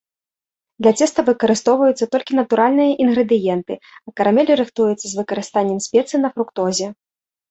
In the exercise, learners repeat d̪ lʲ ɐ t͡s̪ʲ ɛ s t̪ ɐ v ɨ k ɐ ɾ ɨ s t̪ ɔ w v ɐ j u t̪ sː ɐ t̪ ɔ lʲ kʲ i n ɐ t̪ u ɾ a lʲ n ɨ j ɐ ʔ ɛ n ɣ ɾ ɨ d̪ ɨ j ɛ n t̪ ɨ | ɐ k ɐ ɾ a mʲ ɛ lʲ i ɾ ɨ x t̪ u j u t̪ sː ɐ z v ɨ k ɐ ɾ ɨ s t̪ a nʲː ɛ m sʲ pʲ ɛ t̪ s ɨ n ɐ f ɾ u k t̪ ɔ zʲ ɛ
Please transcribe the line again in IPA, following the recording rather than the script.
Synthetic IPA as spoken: d̪ lʲ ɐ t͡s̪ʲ ɛ s t̪ ɐ v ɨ k ɐ ɾ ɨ s t̪ ɔ w v ɐ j u t̪ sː ɐ t̪ ɔ lʲ kʲ i n ɐ t̪ u ɾ a lʲ n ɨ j ɐ ʔ i n ɣ ɾ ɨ d̪ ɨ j ɛ n t̪ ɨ | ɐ k ɐ ɾ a mʲ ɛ lʲ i ɾ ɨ x t̪ u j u t̪ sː ɐ z v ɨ k ɐ ɾ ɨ s t̪ a nʲː ɛ m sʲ pʲ ɛ t̪ s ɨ n ɐ f ɾ u k t̪ ɔ zʲ ɛ